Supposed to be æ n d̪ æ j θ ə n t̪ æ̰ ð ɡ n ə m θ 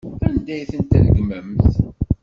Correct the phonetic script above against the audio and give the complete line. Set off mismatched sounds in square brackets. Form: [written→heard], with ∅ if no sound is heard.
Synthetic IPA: æ n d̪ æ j θ ə n t̪ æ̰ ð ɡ [n→m] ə m θ